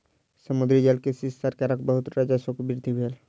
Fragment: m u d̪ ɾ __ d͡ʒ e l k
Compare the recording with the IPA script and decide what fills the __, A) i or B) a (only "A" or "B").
A